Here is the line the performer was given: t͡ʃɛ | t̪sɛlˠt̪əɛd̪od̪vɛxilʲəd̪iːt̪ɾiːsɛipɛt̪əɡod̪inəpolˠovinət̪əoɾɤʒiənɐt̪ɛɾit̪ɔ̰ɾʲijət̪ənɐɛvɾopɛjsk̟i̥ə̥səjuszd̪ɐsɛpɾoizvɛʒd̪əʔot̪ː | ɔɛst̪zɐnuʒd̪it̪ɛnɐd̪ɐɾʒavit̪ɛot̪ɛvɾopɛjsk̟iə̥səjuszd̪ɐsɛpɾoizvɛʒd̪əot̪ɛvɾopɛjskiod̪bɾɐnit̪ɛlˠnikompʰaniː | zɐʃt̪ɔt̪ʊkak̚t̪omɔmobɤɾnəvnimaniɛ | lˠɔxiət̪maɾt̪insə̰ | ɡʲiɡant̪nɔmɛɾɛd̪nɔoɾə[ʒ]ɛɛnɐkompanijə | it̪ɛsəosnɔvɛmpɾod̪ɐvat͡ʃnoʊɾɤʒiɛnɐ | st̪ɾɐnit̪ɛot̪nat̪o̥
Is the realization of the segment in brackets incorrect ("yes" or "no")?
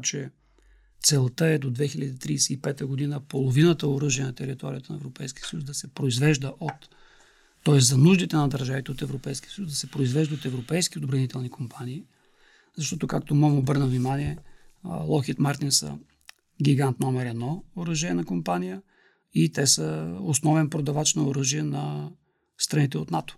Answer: no